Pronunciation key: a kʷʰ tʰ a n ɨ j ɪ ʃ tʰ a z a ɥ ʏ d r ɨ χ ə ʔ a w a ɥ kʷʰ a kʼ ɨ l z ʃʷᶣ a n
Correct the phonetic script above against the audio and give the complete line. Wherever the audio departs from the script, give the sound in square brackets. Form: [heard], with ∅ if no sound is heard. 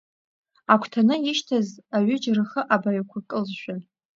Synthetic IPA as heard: a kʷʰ tʰ a n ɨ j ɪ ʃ tʰ a z a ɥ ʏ [d͡ʒ] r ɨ χ ə ʔ a [b] a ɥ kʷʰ a kʼ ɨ l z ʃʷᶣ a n